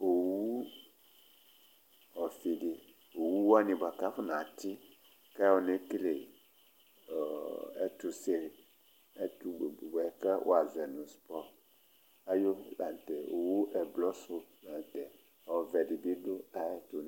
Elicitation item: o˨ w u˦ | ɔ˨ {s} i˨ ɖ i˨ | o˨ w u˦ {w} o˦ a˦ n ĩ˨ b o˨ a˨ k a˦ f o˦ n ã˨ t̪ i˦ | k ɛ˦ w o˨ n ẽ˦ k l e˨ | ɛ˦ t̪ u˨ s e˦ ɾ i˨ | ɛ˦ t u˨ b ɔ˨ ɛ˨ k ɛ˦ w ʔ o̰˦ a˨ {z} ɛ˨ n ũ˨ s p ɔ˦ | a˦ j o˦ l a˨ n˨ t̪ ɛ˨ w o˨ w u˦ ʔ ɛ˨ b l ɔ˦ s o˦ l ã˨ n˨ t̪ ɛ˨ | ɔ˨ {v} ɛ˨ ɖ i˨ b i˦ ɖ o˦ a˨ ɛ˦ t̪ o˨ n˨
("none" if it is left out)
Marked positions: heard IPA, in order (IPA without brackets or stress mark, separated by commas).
f, w, z, v